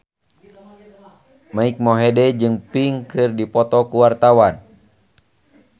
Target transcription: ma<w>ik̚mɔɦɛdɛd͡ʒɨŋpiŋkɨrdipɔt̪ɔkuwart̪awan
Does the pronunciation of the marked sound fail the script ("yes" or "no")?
yes